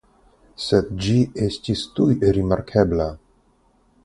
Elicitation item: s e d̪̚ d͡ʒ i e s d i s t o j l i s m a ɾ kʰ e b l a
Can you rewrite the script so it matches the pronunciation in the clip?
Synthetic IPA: s e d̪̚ d͡ʒ i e s t i s t u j ɾ i m a ɾ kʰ e b l a

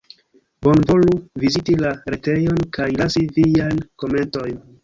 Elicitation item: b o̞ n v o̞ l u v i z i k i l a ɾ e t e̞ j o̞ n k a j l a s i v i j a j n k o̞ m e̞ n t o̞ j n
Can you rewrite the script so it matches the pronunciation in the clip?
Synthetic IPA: b o̞ n v o̞ l u v i z i t i l a ɾ e t e̞ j o̞ n k a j l a s i v i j a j n k o̞ m e̞ n t o̞ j n

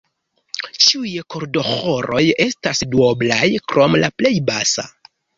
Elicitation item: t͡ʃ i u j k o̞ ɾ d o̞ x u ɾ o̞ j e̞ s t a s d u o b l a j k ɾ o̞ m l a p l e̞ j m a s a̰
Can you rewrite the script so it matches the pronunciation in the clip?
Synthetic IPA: t͡ʃ i u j k o̞ ɾ d o̞ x o ɾ o̞ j e̞ s t a s d u o b l a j k ɾ o̞ m l a p l e̞ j b a s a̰

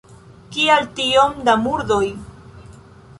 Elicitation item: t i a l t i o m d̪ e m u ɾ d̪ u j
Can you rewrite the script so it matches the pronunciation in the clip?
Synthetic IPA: k i a l t i o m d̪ a m u ɾ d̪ o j

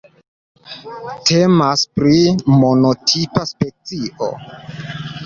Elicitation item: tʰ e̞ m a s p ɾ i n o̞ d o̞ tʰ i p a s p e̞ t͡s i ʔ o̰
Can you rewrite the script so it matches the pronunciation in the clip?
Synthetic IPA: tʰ e̞ m a s p ɾ i m o̞ n o̞ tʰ i p a s p e̞ t͡s i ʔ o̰

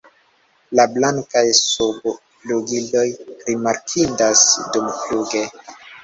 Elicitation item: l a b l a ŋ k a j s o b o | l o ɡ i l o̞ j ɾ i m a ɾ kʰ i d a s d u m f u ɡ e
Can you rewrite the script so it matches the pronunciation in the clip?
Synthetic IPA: l a b l a ŋ k a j s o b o | l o ɡ i l o̞ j ɾ i m a ɾ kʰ i d a s d u m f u ɡ e

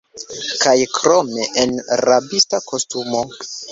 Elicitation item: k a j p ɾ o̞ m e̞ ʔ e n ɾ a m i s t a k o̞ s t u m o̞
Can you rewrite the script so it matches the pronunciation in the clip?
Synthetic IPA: k a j k ɾ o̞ m e̞ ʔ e n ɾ a b i s t a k o̞ s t u m o̞

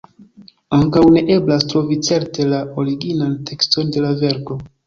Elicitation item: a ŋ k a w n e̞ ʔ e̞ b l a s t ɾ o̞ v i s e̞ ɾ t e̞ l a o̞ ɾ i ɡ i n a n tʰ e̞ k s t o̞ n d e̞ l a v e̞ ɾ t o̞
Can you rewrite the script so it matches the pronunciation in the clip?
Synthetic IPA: a ŋ k a w n e̞ ʔ e̞ b l a s t ɾ o̞ v i t͡s e̞ ɾ t e̞ l a o̞ ɾ i ɡ i n a n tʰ e̞ k s t o̞ n d e̞ l a v e̞ ɾ k o̞

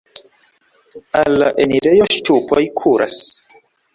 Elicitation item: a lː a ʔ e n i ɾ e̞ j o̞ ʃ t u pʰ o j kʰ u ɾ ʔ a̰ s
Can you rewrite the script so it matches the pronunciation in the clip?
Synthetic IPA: a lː a ʔ e n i ɾ e̞ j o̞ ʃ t u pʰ o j kʰ u ɾ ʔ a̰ s

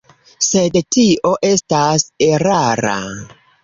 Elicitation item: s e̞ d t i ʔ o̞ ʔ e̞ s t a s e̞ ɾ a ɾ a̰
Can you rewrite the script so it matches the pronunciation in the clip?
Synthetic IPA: s e̞ d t i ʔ o̞ ʔ e̞ s t a s e̞ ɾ a ɾ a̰

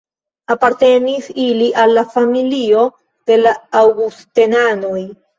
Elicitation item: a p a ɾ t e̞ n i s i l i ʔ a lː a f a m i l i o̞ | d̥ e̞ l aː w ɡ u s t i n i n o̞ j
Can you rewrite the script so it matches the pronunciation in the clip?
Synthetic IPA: a p a ɾ t e̞ n i s i l i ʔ a lː a f a m i l i o̞ | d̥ e̞ l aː w ɡ u s t e n a n o̞ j

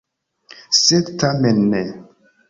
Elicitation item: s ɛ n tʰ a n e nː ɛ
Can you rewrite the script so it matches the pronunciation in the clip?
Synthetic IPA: s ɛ d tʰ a m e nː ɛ

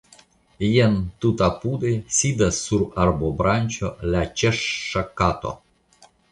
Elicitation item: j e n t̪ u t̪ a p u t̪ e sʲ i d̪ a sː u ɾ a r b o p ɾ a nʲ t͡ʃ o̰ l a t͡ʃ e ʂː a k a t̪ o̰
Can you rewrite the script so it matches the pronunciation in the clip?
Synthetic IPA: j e n t̪ u t̪ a p u d̪ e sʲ i d̪ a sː u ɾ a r b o b ɾ a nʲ t͡ʃ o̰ l a t͡ʃ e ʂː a k a t̪ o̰

